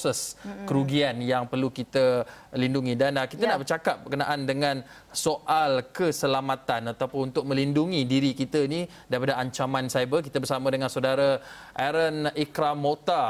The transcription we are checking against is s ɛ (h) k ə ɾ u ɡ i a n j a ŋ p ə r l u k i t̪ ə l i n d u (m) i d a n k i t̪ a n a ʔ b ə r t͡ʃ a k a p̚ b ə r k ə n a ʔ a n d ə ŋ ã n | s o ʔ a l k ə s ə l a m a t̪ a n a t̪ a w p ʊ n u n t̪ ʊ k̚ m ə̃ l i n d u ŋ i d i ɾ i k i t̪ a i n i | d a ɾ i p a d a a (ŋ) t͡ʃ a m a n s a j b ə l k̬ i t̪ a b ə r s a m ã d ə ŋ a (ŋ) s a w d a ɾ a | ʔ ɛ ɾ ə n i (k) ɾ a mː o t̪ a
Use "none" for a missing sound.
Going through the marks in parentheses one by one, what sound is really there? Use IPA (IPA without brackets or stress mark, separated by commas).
s, ŋ, ɲ, n, k